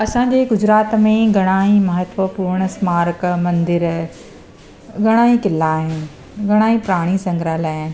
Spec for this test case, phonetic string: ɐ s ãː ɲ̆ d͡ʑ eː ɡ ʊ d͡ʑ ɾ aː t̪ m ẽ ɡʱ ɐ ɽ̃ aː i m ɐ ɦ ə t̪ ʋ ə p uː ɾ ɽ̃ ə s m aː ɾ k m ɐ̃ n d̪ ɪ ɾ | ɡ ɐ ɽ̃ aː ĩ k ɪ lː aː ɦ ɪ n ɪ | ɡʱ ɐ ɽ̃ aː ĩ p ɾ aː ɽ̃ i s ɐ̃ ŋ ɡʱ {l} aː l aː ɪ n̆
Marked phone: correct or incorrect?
incorrect